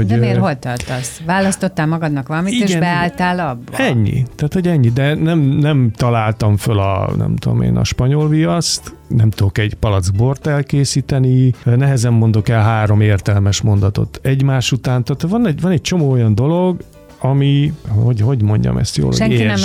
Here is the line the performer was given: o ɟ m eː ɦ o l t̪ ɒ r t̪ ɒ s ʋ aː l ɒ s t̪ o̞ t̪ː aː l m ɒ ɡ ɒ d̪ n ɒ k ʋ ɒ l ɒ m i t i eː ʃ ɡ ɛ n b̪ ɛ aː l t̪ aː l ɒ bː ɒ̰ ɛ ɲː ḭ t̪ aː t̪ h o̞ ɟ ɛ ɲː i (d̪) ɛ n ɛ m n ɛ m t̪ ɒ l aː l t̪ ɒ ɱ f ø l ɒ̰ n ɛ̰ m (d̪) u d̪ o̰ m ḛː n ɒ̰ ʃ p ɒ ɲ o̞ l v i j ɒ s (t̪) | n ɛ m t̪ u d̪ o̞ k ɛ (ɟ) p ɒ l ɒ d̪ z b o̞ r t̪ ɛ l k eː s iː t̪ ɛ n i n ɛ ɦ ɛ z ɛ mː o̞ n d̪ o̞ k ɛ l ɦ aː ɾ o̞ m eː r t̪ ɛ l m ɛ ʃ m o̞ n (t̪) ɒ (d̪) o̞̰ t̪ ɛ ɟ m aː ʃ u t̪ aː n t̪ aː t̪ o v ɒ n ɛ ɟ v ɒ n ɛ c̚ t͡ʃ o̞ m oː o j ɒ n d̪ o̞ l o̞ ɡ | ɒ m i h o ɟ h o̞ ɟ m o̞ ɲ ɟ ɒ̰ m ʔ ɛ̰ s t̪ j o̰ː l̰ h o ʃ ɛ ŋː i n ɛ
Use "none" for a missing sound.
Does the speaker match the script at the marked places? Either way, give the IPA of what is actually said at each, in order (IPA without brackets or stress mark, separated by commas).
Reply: d̪, t̪, t̪, ɟ, d̪, t̪